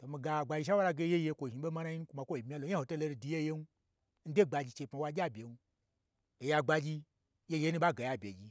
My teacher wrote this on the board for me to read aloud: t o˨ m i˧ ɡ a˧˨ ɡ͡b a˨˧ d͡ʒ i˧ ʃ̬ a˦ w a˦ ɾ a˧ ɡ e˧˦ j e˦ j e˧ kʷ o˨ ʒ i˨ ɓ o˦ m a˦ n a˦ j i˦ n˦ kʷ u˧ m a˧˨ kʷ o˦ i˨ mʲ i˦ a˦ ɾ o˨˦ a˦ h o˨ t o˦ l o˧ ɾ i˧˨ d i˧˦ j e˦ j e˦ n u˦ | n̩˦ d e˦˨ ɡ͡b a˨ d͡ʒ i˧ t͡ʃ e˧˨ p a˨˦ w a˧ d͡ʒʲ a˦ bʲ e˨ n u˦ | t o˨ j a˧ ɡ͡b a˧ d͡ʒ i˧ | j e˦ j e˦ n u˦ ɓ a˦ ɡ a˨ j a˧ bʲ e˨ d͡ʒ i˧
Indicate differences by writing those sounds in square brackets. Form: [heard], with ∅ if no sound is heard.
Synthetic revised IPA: t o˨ m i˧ ɡ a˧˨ ɡ͡b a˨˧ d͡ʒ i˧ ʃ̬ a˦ w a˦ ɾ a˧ ɡ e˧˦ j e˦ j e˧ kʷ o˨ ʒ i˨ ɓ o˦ m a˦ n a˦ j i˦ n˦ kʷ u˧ m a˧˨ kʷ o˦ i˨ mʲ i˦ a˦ [l] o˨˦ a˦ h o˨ t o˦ l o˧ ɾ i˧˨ d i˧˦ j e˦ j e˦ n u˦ | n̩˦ d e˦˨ ɡ͡b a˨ d͡ʒ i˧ t͡ʃ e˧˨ p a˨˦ w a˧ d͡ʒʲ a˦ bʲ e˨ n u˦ | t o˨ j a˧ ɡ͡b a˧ d͡ʒ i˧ | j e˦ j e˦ n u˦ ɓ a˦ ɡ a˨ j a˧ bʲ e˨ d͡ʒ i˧

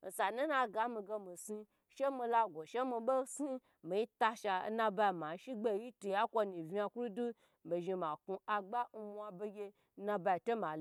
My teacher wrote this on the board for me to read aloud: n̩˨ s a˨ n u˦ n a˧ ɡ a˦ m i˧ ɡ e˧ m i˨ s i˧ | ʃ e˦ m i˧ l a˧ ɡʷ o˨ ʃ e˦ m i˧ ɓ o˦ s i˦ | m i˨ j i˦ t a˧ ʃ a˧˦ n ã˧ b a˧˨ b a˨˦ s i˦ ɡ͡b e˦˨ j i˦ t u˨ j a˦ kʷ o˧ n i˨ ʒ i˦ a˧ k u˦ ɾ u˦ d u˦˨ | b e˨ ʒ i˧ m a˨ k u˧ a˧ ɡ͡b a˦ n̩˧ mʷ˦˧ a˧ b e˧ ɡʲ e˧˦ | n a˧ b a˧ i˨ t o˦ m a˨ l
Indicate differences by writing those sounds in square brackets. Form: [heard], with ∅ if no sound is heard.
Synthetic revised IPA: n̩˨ s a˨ n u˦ n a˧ ɡ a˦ m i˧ ɡ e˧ m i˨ s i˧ | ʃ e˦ m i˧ l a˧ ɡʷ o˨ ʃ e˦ m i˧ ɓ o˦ s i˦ | m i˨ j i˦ t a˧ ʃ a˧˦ n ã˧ b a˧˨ [m] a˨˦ [ʃ] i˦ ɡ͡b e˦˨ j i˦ t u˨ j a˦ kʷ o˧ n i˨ [v] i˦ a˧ k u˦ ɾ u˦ d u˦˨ | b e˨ ʒ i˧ m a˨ k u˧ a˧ ɡ͡b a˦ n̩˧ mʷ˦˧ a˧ b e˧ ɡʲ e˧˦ | n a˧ b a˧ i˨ t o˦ m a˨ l

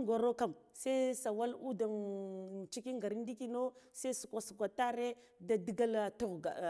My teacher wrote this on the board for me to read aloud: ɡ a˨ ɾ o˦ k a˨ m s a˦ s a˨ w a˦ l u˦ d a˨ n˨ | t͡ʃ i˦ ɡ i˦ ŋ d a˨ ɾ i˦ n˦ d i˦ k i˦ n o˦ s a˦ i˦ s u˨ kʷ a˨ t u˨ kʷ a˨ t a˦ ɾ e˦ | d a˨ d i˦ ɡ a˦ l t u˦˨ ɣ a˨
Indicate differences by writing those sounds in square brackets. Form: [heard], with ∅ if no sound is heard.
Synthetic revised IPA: ɡ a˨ ɾ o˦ k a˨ m s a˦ s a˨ w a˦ l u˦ d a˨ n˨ | t͡ʃ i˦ [k] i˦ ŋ [ɡ] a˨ ɾ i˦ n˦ d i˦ k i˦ n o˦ s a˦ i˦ s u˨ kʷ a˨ [s] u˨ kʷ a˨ t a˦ ɾ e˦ | d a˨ d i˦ ɡ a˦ l t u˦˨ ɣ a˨

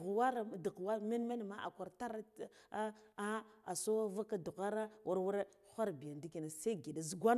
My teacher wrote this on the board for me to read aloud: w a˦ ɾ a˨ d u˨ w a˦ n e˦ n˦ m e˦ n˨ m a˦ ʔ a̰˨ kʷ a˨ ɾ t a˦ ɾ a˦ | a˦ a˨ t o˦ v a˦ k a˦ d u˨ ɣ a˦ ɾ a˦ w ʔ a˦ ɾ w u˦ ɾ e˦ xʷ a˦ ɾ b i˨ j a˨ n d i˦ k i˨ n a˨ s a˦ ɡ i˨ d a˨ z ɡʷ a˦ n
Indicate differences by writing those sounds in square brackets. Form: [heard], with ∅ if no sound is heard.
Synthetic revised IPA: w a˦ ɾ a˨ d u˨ w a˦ [m] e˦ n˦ m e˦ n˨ m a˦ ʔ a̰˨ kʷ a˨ ɾ t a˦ ɾ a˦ | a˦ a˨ [s] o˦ v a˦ k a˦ d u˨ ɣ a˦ ɾ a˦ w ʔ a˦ ɾ w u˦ ɾ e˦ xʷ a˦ ɾ b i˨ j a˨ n d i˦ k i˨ n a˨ s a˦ ɡ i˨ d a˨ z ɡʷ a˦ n

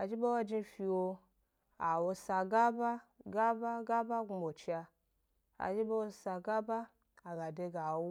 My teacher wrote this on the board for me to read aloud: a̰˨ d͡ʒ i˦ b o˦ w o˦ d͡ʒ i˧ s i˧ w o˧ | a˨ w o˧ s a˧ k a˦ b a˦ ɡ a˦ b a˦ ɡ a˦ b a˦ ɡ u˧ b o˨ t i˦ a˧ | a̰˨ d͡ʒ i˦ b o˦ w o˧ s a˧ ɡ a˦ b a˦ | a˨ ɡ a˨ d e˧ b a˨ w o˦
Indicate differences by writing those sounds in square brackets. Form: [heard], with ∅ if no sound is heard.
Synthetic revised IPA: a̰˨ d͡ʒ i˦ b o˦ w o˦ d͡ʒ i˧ [f] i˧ w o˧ | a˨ w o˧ s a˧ [ɡ] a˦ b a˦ ɡ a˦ b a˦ ɡ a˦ b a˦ ɡ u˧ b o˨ [t͡ʃ] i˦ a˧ | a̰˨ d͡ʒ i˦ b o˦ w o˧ s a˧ ɡ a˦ b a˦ | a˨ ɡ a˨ d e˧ [ɡ] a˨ w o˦

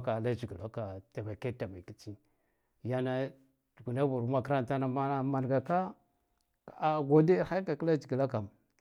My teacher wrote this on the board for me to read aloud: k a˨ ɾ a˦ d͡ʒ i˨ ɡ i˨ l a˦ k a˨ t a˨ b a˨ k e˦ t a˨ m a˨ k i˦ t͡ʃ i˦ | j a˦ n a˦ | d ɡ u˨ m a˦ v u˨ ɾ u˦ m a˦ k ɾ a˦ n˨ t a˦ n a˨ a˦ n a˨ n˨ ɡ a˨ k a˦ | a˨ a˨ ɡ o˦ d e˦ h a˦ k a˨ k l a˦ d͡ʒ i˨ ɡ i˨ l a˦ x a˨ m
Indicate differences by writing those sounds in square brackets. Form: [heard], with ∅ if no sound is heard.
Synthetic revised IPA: k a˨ [l] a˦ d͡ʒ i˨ ɡ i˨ l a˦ k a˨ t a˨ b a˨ k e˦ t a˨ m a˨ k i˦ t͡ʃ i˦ | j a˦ n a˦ | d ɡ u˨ [n] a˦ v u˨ ɾ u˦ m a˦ k ɾ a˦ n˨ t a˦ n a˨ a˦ [m] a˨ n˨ ɡ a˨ k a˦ | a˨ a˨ ɡ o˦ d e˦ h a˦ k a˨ k l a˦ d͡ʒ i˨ ɡ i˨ l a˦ [k] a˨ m

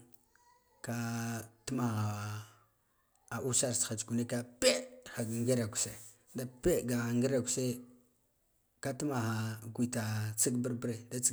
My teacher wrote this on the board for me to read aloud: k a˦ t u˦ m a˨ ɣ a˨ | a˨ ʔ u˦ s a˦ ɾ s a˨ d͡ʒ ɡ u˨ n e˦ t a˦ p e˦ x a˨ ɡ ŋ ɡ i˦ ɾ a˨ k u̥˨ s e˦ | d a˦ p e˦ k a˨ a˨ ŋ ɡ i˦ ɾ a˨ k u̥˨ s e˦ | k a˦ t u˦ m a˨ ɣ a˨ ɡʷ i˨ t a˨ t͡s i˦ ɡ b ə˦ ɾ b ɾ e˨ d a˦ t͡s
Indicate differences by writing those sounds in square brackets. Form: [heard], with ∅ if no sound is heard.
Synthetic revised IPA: k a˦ t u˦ m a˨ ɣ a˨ | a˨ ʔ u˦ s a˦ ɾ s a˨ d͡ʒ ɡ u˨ n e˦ [k] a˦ p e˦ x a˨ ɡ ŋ ɡ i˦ ɾ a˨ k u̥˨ s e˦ | d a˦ p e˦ [ɡ] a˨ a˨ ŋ ɡ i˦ ɾ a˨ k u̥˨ s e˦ | k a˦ t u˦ m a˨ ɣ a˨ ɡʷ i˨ t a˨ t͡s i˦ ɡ b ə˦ ɾ b ɾ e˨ d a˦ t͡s

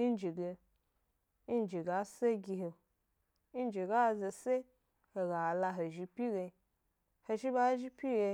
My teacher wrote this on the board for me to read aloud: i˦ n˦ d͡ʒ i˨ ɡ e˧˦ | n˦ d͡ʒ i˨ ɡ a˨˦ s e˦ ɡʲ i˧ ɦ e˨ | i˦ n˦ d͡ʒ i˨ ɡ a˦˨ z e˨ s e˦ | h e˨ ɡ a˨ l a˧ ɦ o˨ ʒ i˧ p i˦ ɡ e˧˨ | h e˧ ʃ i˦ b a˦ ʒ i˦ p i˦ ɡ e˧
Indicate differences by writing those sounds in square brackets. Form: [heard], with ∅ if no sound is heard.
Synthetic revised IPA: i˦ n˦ d͡ʒ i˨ ɡ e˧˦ | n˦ d͡ʒ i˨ ɡ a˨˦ s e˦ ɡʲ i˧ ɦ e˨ | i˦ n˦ d͡ʒ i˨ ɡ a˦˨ z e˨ s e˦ | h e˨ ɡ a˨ l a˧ ɦ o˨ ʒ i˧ p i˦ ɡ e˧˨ | h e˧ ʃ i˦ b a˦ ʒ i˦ p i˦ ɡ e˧

